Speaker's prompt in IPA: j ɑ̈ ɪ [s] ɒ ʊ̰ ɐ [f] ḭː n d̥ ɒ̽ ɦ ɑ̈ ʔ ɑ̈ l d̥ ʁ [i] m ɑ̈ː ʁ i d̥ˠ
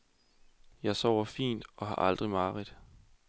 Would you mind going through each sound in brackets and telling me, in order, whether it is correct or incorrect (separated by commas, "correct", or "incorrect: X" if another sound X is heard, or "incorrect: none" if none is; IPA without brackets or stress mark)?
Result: correct, correct, correct